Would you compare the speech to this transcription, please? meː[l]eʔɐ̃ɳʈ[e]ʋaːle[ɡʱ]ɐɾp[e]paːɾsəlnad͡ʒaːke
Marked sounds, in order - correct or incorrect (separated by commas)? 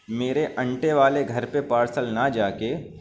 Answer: incorrect, correct, correct, correct